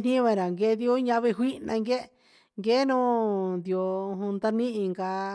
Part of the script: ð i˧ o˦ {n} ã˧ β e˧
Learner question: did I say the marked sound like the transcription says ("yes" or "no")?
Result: no